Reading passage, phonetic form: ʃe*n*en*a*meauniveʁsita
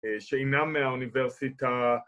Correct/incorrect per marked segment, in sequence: incorrect, correct

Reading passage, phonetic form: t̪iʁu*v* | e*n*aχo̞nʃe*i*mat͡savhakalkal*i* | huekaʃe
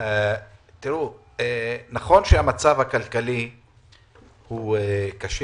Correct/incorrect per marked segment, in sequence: incorrect, correct, incorrect, correct

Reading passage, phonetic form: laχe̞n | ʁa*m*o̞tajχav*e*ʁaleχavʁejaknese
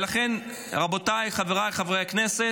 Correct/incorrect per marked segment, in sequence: incorrect, correct

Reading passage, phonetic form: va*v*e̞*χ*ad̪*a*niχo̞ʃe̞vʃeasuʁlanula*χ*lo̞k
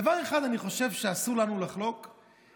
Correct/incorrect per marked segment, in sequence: incorrect, correct, correct, correct

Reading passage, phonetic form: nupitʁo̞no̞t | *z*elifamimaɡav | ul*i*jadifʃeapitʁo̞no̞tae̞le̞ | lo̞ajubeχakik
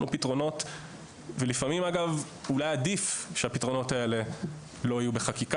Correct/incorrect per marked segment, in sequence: incorrect, incorrect

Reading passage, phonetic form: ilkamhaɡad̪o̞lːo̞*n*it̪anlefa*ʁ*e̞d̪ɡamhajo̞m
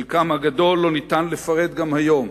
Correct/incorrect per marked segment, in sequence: correct, correct

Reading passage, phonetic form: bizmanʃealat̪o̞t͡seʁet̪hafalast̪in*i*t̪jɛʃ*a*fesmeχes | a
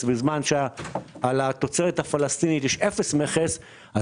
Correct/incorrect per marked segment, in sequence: correct, incorrect

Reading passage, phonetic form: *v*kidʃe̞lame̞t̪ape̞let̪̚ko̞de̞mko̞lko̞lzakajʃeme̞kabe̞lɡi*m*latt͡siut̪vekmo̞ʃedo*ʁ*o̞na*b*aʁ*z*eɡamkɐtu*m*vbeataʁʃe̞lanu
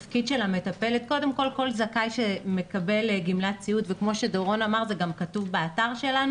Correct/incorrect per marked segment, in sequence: incorrect, correct, correct, incorrect, correct, incorrect

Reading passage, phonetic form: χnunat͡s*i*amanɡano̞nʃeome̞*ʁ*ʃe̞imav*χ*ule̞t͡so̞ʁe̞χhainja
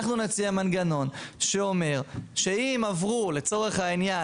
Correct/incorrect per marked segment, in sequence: correct, correct, incorrect

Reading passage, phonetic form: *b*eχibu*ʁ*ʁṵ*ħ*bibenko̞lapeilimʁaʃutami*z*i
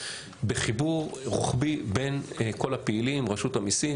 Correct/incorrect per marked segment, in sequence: correct, correct, incorrect, incorrect

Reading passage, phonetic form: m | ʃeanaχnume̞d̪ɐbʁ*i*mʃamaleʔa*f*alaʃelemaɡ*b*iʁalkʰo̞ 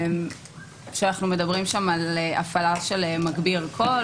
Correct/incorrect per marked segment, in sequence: correct, correct, correct

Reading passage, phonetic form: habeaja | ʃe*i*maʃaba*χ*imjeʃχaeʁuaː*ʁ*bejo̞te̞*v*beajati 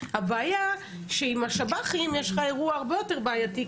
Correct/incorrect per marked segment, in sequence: correct, correct, correct, incorrect

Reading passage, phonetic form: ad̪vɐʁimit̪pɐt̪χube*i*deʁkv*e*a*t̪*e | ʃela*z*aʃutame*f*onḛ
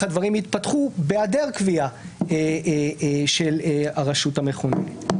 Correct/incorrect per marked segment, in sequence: incorrect, incorrect, incorrect, incorrect, incorrect

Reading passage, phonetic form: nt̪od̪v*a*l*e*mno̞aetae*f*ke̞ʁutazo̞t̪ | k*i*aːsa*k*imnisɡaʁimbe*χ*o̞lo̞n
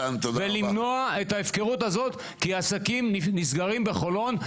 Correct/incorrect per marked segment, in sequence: incorrect, incorrect, correct, correct, correct, correct

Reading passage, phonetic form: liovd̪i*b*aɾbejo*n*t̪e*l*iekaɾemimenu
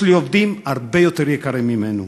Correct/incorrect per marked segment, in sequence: incorrect, incorrect, incorrect

